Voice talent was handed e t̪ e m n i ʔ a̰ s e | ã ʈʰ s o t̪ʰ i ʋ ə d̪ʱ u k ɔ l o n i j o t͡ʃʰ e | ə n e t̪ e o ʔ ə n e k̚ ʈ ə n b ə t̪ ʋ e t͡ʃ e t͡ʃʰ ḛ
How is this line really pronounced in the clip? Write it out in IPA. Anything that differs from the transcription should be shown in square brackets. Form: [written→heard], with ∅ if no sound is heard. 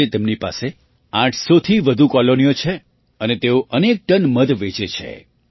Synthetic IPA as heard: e t̪ e m n i [ʔ→p] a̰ s e | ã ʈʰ s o t̪ʰ i ʋ ə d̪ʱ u k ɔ l o n i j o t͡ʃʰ e | ə n e t̪ e o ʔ ə n e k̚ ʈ ə n [b→m] ə [t̪→d̪] ʋ e t͡ʃ e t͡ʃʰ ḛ